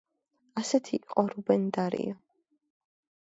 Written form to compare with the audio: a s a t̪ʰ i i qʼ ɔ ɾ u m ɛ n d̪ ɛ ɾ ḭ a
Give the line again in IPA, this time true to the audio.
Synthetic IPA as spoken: a s ɛ t̪ʰ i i qʼ ɔ ɾ u b ɛ n d̪ a ɾ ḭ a